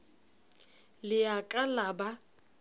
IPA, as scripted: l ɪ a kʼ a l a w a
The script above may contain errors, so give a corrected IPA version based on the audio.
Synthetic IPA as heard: l ɪ a kʼ a l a b a